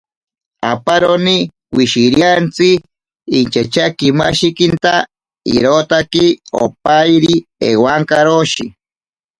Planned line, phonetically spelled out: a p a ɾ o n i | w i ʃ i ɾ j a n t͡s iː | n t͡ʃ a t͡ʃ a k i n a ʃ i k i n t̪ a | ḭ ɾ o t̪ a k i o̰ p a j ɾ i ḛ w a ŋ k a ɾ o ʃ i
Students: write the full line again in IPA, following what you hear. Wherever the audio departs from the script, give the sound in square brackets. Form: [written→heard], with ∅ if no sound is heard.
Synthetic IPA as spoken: a p a ɾ o n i | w i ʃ i ɾ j a n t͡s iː | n t͡ʃ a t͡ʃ a k i [n→m] a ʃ i k i n t̪ a | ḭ ɾ o t̪ a k i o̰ p a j ɾ i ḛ w a ŋ k a ɾ o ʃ i